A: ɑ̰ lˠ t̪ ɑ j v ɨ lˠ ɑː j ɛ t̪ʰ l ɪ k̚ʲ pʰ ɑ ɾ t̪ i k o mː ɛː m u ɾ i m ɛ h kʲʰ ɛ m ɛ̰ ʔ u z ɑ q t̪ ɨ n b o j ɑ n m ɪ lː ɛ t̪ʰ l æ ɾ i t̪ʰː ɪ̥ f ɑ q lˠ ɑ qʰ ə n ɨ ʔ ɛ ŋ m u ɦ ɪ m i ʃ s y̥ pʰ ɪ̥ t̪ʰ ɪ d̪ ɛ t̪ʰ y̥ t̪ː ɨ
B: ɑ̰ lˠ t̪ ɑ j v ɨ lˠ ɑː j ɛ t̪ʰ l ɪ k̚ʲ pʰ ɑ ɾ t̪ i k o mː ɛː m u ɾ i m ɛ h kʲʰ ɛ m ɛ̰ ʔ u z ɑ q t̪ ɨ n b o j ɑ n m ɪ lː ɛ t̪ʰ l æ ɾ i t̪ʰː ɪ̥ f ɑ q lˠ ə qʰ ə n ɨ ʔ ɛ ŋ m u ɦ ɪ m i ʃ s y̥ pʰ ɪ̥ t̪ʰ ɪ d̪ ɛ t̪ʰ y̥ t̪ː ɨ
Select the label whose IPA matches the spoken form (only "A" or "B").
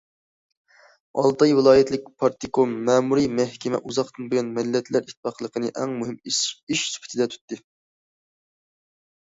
B